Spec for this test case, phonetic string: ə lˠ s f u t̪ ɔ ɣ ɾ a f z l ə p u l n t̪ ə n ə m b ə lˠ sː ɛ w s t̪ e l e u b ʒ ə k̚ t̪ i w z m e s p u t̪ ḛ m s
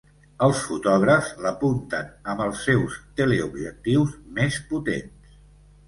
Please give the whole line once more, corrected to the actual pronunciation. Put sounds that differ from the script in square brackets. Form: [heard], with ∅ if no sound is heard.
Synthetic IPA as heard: ə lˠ s f u t̪ ɔ ɣ ɾ [ə] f z l ə p u [∅] n t̪ ə n ə m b ə lˠ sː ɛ w s t̪ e l e u b ʒ ə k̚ t̪ i w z m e s p u t̪ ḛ [n] s